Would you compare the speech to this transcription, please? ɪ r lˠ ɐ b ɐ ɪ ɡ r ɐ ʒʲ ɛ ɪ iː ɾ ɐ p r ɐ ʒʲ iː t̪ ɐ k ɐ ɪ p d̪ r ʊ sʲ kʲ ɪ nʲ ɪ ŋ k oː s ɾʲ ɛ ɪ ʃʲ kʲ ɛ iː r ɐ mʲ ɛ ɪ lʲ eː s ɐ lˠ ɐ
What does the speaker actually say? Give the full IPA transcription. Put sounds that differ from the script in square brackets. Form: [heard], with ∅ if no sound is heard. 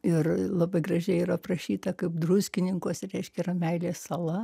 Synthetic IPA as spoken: ɪ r lˠ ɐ b ɐ ɪ ɡ r ɐ ʒʲ ɛ ɪ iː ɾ ɐ p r ɐ [ʃʲ] iː t̪ ɐ k ɐ ɪ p d̪ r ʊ sʲ kʲ ɪ nʲ ɪ ŋ k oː s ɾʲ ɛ ɪ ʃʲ kʲ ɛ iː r ɐ mʲ ɛ ɪ lʲ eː s ɐ lˠ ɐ